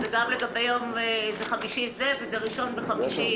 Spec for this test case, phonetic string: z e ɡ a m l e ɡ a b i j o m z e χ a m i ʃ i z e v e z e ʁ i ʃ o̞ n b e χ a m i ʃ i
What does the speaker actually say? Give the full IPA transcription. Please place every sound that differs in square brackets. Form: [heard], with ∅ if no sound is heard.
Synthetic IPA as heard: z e ɡ a m l e ɡ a b [e] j o m z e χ a m i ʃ i z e v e z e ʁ i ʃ o̞ n b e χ a m i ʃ i